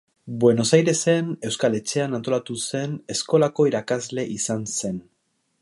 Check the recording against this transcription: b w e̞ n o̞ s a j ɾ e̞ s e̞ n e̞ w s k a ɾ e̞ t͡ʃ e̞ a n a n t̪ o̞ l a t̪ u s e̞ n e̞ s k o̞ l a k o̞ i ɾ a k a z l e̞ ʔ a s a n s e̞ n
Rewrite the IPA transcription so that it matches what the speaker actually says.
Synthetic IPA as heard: b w e̞ n o̞ s a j ɾ e̞ s e̞ n e̞ w s k a l e̞ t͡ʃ e̞ a n a n t̪ o̞ l a t̪ u s e̞ n e̞ s k o̞ l a k o̞ i ɾ a k a z l e̞ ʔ i s a n s e̞ n